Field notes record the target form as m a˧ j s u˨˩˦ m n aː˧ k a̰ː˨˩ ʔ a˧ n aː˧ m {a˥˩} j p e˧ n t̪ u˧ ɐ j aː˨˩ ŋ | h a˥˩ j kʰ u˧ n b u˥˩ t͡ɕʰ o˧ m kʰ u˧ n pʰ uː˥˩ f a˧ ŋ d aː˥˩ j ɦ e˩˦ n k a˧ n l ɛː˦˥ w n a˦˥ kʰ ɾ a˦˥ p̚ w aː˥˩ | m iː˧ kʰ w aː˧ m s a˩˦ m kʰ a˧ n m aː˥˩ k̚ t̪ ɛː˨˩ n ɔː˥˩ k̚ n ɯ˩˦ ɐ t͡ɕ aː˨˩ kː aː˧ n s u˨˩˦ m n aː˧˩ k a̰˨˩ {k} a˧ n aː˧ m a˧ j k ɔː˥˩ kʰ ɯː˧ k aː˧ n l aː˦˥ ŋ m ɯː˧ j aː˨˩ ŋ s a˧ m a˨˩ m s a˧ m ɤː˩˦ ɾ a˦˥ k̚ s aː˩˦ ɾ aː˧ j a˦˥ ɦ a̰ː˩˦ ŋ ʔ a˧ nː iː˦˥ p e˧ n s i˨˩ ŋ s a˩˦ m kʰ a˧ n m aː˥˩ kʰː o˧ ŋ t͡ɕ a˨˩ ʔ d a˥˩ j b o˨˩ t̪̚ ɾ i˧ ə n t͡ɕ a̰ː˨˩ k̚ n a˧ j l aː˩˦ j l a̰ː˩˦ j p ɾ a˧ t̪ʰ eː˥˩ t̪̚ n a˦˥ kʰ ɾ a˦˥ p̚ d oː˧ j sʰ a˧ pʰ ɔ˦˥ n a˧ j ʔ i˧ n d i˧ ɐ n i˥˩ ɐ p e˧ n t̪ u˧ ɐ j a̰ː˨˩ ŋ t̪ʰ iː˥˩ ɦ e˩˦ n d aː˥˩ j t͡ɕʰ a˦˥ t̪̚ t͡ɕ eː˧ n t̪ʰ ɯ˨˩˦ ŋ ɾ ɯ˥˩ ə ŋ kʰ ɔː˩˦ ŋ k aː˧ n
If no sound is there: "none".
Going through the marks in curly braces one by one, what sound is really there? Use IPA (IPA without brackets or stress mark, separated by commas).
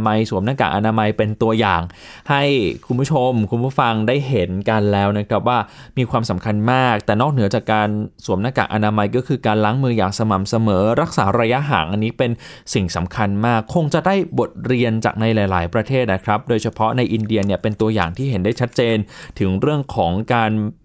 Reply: a˧, ʔ